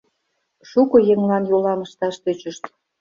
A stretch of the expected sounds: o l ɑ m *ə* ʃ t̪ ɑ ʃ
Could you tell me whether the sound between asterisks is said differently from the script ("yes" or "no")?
no